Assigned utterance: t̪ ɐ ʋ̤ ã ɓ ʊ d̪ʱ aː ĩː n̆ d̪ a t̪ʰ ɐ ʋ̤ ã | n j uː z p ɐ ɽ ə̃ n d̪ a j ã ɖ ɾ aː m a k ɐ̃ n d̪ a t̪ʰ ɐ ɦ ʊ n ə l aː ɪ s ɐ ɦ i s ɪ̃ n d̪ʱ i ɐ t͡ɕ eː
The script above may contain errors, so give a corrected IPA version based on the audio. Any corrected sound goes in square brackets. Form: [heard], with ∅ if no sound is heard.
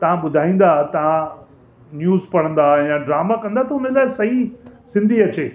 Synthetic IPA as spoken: t̪ ɐ ʋ̤ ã ɓ ʊ d̪ʱ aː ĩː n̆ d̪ a [t̪] ɐ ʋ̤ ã | n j uː z p ɐ ɽ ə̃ n d̪ a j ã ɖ ɾ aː m a k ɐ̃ n d̪ a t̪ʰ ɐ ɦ ʊ n ə l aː ɪ s ɐ ɦ i s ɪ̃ n d̪ʱ i ɐ t͡ɕ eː